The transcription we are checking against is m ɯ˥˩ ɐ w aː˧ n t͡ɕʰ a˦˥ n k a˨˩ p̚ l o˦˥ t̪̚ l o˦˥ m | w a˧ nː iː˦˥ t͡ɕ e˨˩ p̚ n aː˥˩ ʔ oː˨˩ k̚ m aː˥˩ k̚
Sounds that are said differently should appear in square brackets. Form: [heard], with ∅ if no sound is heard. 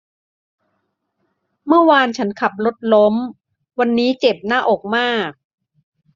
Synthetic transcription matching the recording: m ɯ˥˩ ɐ w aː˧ n t͡ɕʰ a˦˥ n [kʰ] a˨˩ p̚ l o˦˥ t̪̚ l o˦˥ m | w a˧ nː iː˦˥ t͡ɕ e˨˩ p̚ n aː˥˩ ʔ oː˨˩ k̚ m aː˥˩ k̚

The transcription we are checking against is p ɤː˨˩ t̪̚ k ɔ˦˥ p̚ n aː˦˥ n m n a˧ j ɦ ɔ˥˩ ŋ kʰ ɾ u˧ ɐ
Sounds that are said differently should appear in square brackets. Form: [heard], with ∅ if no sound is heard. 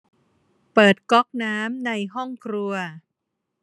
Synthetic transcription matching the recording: p ɤː˨˩ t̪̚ k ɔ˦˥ [k̚] n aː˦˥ [∅] m n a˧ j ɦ ɔ˥˩ ŋ kʰ ɾ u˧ ɐ

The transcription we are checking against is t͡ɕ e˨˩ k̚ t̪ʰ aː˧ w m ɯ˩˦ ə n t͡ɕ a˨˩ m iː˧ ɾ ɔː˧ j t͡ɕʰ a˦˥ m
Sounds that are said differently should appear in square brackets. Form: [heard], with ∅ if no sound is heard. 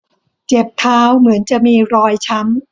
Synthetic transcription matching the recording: t͡ɕ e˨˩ [p̚] t̪ʰ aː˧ w m ɯ˩˦ ə n t͡ɕ a˨˩ m iː˧ ɾ ɔː˧ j t͡ɕʰ a˦˥ m

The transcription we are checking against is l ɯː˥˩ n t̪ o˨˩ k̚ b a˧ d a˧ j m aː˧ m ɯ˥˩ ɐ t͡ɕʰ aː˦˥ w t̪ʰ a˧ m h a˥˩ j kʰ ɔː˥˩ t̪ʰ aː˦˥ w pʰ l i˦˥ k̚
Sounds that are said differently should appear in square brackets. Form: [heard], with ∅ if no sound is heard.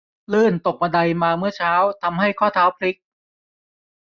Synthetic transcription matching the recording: l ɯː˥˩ n t̪ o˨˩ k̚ [m] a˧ d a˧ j m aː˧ m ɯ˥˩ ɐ t͡ɕʰ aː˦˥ w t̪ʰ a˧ m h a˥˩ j kʰ ɔː˥˩ t̪ʰ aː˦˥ w pʰ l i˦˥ k̚

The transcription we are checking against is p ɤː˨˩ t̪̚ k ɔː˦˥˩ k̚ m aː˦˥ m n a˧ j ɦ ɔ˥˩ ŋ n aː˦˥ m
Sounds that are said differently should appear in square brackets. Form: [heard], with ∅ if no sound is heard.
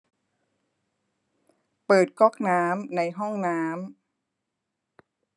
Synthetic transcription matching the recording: p ɤː˨˩ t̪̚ k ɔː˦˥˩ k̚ [n] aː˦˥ m n a˧ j ɦ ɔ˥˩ ŋ n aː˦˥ m

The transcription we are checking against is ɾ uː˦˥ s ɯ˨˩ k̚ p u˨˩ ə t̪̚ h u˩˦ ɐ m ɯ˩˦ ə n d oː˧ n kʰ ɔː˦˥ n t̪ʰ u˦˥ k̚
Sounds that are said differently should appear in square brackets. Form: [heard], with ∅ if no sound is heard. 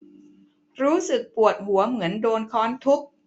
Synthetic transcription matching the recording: ɾ uː˦˥ s ɯ˨˩ k̚ p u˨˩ ə t̪̚ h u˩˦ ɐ m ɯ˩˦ ə n d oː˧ n kʰ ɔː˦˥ n t̪ʰ u˦˥ k̚

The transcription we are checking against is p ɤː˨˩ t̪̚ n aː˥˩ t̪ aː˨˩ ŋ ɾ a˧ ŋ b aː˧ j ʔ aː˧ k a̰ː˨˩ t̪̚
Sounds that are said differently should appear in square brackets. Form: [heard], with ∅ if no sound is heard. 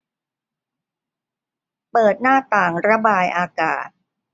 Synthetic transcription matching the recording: p ɤː˨˩ t̪̚ n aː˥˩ t̪ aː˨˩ ŋ ɾ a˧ [∅] b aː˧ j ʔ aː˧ k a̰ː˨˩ t̪̚

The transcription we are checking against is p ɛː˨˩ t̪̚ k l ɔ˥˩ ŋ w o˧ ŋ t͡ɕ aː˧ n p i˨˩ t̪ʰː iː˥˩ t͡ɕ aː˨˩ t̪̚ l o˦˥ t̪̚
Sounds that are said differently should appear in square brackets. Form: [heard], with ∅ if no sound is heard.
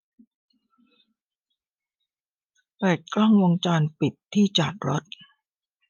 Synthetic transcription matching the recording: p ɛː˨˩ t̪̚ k l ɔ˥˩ ŋ w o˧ ŋ t͡ɕ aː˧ n p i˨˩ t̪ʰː iː˥˩ t͡ɕ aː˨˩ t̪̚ [ɾ] o˦˥ t̪̚

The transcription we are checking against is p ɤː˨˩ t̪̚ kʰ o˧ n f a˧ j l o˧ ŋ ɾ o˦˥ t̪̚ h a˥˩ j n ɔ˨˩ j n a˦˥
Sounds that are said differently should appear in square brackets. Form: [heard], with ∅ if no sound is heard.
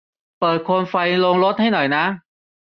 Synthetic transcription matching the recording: p ɤː˨˩ t̪̚ kʰ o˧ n f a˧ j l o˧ ŋ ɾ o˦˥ t̪̚ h a˥˩ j n ɔ˨˩ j n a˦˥

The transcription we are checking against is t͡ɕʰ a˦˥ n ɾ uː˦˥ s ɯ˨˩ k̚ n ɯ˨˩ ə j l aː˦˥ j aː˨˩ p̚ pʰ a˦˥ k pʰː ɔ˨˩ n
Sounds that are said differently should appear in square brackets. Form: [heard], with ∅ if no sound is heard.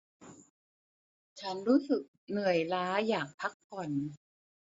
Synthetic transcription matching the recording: t͡ɕʰ a˦˥ n ɾ uː˦˥ s ɯ˨˩ k̚ n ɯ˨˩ ə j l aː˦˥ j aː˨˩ [k̚] pʰ a˦˥ k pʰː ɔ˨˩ n

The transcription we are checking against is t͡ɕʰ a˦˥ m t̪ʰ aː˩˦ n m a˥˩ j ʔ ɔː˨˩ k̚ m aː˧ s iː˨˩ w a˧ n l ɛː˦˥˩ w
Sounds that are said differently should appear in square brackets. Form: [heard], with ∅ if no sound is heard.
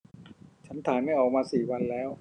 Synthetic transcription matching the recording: t͡ɕʰ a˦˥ [n] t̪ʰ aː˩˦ n m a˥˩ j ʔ ɔː˨˩ k̚ m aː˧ s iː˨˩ w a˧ n l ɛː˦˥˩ w

